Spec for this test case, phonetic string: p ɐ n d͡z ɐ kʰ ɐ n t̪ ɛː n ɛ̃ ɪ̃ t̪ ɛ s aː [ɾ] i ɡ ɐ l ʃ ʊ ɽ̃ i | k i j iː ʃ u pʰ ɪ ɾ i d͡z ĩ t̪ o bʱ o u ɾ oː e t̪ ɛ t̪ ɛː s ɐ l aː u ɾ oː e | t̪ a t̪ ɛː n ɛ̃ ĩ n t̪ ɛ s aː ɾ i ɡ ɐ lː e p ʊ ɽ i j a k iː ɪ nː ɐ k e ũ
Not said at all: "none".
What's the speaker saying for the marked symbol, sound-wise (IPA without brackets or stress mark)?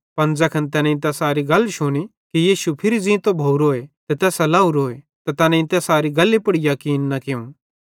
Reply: ɾ